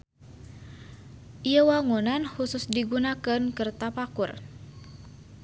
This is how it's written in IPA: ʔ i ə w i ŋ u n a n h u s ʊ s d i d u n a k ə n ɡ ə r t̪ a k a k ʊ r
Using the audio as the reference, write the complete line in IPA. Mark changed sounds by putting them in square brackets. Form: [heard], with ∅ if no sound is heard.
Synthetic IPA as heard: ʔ i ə w [a] ŋ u n a n h u s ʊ s d i [ɡ] u n a k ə n [k] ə r t̪ a [p] a k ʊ r